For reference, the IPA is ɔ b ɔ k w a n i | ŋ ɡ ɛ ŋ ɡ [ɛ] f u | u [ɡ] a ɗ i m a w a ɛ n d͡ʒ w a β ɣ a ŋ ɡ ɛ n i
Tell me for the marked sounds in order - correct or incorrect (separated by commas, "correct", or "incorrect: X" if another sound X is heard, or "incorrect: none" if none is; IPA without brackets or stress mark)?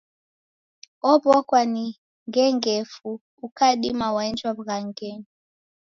correct, incorrect: k